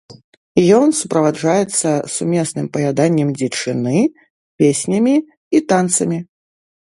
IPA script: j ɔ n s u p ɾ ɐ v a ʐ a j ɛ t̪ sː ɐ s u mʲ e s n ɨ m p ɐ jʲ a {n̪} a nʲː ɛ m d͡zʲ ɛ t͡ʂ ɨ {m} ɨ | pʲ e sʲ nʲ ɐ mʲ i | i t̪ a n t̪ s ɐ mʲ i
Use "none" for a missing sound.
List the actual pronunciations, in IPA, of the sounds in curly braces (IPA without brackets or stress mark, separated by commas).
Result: d̪, n